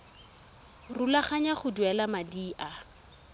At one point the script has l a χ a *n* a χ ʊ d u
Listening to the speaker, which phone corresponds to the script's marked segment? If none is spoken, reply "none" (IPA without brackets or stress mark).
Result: ɲ